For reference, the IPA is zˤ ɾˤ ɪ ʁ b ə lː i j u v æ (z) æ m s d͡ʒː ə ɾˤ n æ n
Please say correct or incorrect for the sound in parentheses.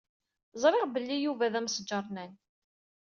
incorrect